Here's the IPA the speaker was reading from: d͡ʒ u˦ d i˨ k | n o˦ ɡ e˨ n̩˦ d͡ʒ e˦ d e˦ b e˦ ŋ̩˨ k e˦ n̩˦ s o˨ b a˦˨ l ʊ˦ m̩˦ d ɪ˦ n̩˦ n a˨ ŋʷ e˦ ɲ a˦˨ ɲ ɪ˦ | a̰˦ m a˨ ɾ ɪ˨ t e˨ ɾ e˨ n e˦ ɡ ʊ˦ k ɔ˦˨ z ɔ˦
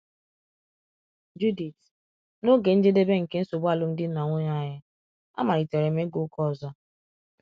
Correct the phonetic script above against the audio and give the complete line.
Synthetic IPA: d͡ʒ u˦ d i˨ t | n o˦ ɡ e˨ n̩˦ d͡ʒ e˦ d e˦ b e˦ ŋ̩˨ k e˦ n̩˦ s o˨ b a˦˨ l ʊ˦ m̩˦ d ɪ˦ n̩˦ n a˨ ŋʷ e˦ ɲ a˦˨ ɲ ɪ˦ | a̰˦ m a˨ ɾ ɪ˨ t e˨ ɾ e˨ m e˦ ɡ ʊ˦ k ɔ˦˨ z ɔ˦

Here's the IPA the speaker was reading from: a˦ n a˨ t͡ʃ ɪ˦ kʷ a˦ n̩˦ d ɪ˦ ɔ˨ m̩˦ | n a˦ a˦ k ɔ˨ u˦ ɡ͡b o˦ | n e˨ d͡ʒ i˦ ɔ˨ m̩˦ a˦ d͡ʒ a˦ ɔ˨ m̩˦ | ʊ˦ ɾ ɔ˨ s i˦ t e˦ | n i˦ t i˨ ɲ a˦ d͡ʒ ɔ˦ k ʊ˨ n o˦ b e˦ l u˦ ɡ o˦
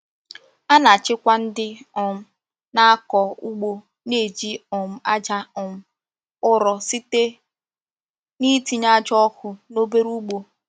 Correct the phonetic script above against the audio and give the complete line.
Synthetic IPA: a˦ n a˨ t͡ʃ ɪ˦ kʷ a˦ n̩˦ d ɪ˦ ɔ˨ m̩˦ | n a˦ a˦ k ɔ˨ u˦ ɡ͡b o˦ | n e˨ d͡ʒ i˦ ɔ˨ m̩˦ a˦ d͡ʒ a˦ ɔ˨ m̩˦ | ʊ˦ ɾ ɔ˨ s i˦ t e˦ | n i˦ t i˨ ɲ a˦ d͡ʒ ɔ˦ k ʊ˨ n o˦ b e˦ ɾ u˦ ɡ͡b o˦

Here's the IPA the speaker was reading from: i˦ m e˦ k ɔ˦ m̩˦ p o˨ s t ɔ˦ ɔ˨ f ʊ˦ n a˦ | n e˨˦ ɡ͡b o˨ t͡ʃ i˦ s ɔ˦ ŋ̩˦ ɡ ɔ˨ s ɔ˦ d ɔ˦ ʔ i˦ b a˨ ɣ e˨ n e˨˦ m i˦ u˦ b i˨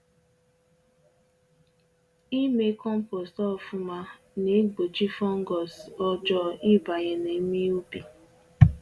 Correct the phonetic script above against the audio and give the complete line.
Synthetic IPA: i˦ m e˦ k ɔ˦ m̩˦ p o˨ s t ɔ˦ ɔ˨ f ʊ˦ m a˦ | n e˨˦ ɡ͡b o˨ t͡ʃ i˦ f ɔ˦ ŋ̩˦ ɡ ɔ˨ s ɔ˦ d͡ʒ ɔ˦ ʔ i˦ b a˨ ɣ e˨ n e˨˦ m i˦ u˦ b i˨

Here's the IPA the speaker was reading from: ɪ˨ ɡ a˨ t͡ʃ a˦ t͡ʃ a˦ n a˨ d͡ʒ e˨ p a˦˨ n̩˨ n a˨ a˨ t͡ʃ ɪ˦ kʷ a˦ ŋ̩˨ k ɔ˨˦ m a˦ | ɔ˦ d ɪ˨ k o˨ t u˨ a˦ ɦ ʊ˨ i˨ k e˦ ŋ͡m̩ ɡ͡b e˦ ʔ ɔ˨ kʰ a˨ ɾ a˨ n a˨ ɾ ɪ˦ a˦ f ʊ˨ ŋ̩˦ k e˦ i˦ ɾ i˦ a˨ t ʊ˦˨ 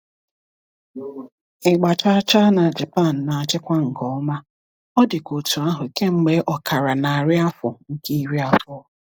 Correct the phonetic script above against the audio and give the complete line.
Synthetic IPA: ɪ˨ ɡ͡b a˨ t͡ʃ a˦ t͡ʃ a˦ n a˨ d͡ʒ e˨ p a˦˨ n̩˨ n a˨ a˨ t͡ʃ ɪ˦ kʷ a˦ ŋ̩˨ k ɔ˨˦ m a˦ | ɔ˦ d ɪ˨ k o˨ t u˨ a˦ ɦ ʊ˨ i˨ k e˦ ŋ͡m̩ ɡ͡b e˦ ʔ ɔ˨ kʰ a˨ ɾ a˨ n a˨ ɾ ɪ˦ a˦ f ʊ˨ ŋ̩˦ k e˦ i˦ ɾ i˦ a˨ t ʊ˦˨

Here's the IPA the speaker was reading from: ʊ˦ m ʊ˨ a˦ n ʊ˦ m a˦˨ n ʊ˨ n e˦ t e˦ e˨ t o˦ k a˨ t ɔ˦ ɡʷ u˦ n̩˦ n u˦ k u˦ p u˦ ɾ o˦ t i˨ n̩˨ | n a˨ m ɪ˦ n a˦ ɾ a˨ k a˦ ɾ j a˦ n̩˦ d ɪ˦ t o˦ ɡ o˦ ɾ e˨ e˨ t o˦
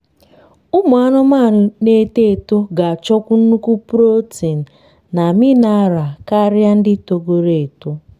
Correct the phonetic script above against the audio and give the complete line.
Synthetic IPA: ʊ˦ m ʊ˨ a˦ n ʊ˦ m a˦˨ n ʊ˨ n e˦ t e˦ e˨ t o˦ ɡ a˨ t͡ʃ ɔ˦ kʷ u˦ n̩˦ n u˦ k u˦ p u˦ ɾ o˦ t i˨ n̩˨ | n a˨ m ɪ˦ n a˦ ɾ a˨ k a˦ ɾ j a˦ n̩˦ d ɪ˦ t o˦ ɡ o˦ ɾ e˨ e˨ t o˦

